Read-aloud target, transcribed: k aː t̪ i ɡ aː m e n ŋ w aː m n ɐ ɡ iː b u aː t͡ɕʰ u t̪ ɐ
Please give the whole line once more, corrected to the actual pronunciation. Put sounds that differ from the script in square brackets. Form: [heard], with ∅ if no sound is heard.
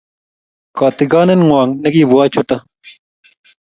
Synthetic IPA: k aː t̪ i ɡ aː [n] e n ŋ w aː [ŋ] n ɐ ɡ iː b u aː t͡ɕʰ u t̪ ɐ